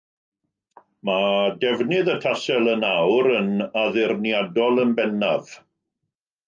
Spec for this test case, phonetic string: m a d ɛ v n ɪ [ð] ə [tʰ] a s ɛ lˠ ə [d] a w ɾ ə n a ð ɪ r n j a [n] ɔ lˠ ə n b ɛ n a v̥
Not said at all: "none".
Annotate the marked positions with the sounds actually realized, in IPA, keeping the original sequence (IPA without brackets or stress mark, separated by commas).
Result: ð, tʰ, n, d